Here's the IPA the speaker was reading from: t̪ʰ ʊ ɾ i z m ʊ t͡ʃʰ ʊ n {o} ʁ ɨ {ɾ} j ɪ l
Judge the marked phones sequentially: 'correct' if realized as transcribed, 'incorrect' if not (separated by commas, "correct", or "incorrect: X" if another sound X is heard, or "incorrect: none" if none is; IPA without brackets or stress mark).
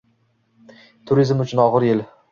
incorrect: ɒ, correct